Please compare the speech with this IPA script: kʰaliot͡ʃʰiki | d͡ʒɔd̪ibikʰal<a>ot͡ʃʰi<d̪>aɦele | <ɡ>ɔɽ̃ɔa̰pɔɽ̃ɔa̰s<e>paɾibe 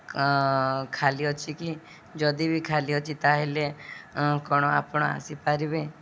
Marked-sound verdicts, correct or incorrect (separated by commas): incorrect, incorrect, incorrect, incorrect